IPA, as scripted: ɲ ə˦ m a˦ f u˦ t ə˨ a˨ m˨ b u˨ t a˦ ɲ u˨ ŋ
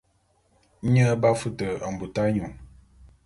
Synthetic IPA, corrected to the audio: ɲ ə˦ b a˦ f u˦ t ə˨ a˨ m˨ b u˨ t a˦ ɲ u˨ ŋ